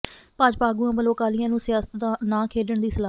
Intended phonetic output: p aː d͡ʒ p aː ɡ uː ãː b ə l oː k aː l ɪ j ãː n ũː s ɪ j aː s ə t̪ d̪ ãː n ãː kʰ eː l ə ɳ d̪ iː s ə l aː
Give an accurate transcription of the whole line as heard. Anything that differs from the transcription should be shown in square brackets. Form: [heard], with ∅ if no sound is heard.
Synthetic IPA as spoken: p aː d͡ʒ p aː ɡ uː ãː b ə l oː k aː l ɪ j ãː n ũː s ɪ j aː s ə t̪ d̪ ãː n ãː kʰ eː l ə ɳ d̪ iː s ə l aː